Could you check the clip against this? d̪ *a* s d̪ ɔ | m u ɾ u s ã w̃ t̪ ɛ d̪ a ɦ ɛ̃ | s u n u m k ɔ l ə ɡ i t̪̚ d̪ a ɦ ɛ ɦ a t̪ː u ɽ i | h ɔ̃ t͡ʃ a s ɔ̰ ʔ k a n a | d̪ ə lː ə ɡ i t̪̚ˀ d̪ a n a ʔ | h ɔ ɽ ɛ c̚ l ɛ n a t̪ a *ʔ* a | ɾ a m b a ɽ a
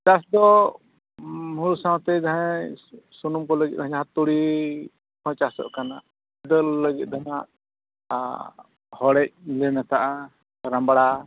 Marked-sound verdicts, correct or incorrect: correct, correct

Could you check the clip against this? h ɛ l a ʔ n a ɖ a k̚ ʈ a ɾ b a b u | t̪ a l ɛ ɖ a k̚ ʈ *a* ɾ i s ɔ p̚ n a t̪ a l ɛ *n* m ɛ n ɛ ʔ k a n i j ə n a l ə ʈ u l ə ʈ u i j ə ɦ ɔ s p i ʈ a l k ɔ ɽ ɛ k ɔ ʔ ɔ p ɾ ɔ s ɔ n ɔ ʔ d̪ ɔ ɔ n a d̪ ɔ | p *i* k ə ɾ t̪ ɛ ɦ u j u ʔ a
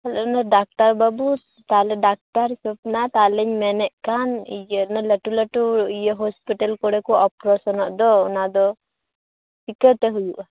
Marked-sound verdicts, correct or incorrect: correct, incorrect, correct

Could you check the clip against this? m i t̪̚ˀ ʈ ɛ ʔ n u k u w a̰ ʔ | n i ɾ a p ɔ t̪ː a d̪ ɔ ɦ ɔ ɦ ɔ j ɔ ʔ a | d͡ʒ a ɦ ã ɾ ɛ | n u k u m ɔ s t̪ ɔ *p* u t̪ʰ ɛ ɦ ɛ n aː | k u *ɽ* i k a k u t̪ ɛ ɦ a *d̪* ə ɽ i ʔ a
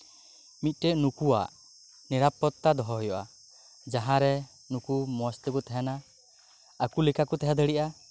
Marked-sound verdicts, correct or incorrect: incorrect, incorrect, correct

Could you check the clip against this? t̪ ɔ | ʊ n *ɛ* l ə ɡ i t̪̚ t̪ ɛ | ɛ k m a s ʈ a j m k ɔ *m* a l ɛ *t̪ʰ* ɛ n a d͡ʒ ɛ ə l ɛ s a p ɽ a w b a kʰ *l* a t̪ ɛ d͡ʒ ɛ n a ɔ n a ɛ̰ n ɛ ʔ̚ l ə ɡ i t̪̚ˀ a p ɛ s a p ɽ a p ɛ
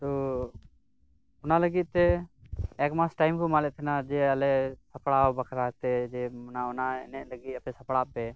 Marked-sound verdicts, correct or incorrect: incorrect, correct, correct, incorrect

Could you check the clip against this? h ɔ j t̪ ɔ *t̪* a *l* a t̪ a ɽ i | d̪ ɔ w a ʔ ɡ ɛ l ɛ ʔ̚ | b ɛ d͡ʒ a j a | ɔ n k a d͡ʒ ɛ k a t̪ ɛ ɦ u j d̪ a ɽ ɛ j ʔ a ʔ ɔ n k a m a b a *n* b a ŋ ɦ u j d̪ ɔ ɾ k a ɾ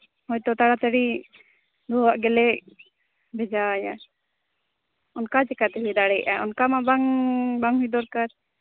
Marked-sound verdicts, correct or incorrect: correct, incorrect, incorrect

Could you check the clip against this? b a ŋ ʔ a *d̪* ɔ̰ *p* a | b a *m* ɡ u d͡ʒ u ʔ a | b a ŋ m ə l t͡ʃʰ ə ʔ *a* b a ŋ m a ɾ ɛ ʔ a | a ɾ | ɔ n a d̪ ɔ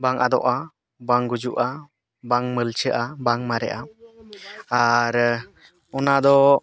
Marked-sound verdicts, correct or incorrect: correct, incorrect, incorrect, correct

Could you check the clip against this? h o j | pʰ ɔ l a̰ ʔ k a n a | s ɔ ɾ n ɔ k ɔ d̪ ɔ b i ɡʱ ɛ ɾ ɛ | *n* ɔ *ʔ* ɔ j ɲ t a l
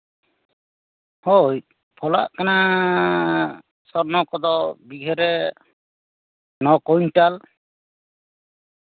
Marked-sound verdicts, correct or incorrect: correct, incorrect

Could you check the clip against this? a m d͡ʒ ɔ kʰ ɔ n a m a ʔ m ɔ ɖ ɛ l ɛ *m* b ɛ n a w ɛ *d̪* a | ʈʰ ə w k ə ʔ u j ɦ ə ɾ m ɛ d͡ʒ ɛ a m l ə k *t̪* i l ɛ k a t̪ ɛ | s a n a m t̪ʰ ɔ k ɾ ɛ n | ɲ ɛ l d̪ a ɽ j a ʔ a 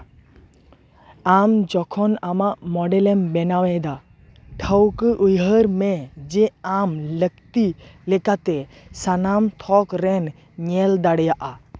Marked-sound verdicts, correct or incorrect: correct, correct, correct

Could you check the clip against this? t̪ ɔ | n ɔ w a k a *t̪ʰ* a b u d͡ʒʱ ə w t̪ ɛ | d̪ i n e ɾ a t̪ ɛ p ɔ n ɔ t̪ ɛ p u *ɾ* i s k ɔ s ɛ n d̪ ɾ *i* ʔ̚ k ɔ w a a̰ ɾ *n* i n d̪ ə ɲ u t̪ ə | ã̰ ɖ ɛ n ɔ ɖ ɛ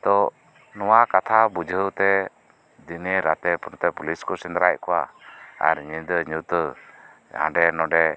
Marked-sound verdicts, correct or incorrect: correct, incorrect, incorrect, incorrect

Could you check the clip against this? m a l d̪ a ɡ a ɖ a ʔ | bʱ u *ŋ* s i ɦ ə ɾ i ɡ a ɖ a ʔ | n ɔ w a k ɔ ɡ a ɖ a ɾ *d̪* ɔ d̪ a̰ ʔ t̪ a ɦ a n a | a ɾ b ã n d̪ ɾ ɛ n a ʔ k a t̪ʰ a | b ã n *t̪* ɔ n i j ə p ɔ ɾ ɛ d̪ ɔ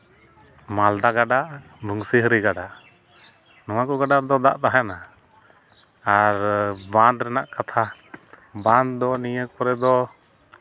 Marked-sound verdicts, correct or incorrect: correct, correct, incorrect

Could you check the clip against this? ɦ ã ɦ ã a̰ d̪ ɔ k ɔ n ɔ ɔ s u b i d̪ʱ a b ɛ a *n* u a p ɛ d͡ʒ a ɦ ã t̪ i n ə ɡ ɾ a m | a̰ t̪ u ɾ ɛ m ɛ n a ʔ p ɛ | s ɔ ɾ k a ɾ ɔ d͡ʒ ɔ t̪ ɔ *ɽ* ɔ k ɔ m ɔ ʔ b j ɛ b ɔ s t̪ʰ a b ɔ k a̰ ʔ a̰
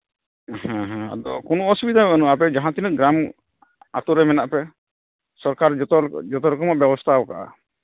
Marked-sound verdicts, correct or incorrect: correct, incorrect

